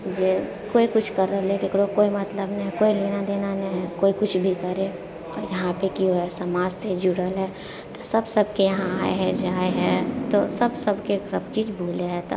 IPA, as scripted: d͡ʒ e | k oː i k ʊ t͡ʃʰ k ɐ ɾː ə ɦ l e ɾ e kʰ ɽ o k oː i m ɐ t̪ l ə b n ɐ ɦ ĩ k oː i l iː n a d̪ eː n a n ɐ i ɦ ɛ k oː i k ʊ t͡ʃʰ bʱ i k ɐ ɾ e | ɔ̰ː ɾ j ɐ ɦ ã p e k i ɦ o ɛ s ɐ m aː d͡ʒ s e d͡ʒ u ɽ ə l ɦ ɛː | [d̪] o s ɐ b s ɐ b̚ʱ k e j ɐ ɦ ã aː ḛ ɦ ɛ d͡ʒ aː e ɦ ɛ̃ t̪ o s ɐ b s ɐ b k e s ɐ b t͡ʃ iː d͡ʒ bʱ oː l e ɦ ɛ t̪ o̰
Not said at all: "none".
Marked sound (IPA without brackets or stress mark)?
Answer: t̪